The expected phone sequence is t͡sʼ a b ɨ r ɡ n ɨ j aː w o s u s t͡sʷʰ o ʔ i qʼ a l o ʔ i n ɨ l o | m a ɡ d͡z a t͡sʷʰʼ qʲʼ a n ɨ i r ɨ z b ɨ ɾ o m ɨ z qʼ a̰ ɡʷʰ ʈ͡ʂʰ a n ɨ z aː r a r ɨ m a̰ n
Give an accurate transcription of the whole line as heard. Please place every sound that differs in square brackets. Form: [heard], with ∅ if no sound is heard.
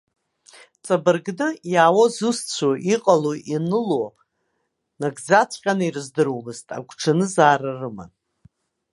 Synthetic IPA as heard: t͡sʼ a b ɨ r ɡ n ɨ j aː w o [z] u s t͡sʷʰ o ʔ i qʼ a l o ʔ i n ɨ l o | [n] a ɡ d͡z a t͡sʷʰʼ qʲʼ a n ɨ i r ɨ z [d] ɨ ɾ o m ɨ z [tʼ] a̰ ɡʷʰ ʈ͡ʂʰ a n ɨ z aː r a r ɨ m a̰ n

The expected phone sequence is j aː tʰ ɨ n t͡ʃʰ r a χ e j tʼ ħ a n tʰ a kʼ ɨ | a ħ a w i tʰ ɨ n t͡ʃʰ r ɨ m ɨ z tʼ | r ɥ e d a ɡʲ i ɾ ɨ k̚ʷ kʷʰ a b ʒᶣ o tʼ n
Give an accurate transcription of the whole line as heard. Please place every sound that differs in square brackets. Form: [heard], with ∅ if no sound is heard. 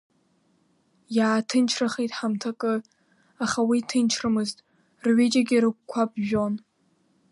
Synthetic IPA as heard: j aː tʰ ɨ n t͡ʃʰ r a χ e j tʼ ħ a [m] tʰ a kʼ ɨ | a [χ] a w i tʰ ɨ n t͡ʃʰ r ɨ m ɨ z tʼ | r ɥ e [d͡ʒ] a ɡʲ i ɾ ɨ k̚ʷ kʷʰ a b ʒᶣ o [∅] n

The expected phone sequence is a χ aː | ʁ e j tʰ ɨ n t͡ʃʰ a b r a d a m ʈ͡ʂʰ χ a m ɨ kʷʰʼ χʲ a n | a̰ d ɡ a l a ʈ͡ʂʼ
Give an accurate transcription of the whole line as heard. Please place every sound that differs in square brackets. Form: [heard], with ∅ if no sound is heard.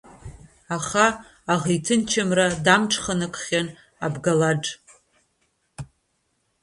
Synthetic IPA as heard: a χ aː | ʁ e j tʰ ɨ n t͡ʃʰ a [m] r a d a m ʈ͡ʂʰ χ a [n] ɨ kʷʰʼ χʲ a n | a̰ [b] ɡ a l a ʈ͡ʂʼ

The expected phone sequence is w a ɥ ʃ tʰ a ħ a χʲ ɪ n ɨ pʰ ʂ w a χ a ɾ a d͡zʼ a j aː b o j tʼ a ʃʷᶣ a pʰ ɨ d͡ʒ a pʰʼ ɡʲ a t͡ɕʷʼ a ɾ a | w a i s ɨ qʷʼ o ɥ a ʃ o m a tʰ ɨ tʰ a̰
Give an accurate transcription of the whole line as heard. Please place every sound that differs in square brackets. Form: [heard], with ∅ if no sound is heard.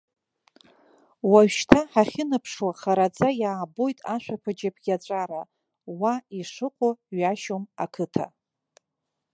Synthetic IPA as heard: w a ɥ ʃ tʰ a ħ a χʲ ɪ n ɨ pʰ ʂ w a χ a ɾ a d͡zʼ a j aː b o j tʼ a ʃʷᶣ a pʰ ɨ d͡ʒ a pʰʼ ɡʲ a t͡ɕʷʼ a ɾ a | w a i [ʂ] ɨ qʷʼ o ɥ a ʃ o m a [kʰ] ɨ tʰ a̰

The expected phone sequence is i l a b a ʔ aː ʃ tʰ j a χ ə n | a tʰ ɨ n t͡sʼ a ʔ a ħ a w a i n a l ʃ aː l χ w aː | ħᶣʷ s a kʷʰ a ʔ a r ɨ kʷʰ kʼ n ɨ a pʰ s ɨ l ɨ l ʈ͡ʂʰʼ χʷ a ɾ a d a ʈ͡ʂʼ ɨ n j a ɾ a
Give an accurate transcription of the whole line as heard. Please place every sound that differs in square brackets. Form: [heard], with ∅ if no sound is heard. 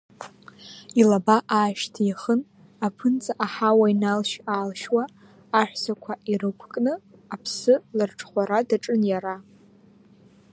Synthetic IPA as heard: i l a b a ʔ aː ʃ tʰ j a χ ə n | a [pʰ] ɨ n t͡sʼ a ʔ a ħ a w a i n a l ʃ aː l [ʃ] w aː | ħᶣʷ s a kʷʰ a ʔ [i] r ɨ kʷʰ kʼ n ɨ a pʰ s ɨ l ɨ [r] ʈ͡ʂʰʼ χʷ a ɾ a d a ʈ͡ʂʼ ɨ n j a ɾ a

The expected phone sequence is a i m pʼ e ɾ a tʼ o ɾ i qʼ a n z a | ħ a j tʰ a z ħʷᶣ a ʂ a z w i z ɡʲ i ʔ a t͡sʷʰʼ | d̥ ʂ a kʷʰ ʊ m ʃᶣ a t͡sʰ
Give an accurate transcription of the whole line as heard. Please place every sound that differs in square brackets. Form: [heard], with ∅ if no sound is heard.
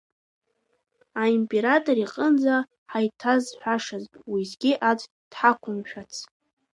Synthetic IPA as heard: a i m pʼ e ɾ a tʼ o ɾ i qʼ [ə] n [d͡z] a | ħ a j tʰ a z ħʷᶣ a ʂ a z w i z ɡʲ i ʔ a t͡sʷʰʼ | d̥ [ħ] a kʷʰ ʊ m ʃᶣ a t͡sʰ

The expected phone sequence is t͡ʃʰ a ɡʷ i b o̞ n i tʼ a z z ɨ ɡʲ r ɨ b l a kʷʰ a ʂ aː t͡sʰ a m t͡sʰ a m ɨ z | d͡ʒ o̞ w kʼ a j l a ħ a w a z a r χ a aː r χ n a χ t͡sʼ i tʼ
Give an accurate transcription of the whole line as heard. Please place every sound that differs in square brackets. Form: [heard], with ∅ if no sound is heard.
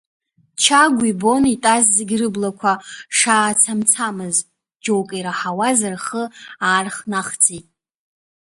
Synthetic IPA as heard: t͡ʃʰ a ɡʷ i b o̞ n i tʼ a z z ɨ ɡʲ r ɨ b l a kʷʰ a ʂ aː t͡sʰ a m t͡sʰ a m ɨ z | d͡ʒ o̞ w kʼ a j [ɾ] a ħ a w a z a r χ [ə] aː r χ n a χ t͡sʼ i tʼ

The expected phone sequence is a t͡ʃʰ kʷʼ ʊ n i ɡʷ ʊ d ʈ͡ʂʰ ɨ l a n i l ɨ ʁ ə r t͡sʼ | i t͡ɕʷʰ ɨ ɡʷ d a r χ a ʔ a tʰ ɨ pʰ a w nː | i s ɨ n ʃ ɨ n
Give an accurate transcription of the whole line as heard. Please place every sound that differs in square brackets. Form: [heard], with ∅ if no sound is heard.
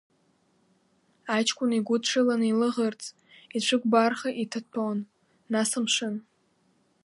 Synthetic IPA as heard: a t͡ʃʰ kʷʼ ʊ n i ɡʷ ʊ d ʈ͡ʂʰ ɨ l a n i l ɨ ʁ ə r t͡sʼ | i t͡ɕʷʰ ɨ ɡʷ [b] a r χ a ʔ [i] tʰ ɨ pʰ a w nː | [a] s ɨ [m] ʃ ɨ n

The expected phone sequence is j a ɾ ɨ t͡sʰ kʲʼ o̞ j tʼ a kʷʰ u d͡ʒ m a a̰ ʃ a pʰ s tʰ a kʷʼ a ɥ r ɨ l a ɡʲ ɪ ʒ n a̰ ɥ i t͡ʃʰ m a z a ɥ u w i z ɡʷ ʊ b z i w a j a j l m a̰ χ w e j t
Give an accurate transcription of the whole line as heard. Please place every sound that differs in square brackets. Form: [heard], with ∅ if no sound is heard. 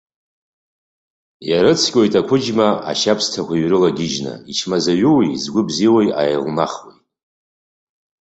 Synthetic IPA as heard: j a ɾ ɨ t͡sʰ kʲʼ o̞ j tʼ a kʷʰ [ʊ] d͡ʒ m a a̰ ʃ a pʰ s tʰ a [kʷ] a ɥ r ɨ l a ɡʲ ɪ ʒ n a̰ [∅] i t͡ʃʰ m a z a ɥ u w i z ɡʷ ʊ b z i w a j a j l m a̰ χ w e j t

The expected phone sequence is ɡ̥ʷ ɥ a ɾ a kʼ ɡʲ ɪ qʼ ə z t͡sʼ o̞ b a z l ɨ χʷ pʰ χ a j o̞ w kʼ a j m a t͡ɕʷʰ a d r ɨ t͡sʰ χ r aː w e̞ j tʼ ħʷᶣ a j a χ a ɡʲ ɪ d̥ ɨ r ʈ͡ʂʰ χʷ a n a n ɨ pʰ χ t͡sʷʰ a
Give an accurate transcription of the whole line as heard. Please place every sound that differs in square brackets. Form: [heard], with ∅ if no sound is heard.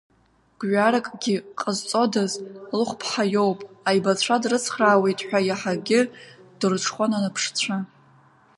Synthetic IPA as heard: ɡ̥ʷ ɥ a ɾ a kʼ ɡʲ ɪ qʼ ə z t͡sʼ o̞ [d] a z l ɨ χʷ pʰ [ħ] a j o̞ w [pʼ] a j [b] a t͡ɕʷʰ a d r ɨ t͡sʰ χ r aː w e̞ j tʼ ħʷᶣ a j a [ħ] a ɡʲ ɪ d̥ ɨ r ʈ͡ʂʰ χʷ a n a n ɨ pʰ [ʂ] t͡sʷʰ a

